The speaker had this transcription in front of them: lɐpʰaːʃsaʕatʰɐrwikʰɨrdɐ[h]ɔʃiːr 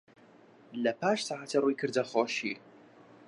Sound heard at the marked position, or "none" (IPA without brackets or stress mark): χ